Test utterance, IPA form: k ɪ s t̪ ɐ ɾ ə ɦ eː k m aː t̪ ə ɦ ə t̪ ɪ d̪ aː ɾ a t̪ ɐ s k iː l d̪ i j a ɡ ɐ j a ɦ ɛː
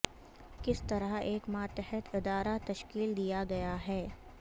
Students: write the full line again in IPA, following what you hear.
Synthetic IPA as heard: k ɪ s t̪ ɐ ɾ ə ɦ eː k m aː t̪ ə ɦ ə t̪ ɪ d̪ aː ɾ a t̪ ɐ ʃ k iː l d̪ i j a ɡ ɐ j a ɦ ɛː